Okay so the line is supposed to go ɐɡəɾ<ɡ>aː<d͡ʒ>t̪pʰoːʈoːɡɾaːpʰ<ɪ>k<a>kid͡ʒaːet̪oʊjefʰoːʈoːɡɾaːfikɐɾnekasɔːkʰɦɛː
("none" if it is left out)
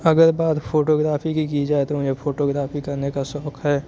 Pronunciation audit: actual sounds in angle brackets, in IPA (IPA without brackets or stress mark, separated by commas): b, none, i, i